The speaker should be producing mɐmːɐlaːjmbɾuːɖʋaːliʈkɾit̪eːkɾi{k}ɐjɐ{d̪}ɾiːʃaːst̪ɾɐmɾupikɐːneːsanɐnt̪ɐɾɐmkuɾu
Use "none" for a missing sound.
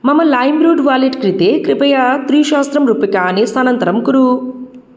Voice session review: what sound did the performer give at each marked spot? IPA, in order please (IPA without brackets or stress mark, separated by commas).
p, t̪